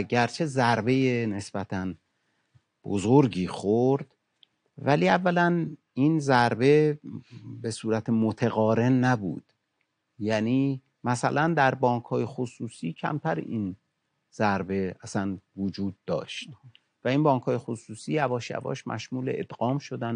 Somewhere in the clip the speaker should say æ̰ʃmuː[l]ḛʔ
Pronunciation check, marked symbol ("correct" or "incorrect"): correct